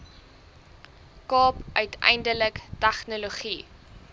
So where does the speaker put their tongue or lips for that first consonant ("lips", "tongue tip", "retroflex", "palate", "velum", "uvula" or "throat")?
velum